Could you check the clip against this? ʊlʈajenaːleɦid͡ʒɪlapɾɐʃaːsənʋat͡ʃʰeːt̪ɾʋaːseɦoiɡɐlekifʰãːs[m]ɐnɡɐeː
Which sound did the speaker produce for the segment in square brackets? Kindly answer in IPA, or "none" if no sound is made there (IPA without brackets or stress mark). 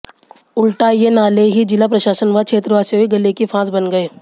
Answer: b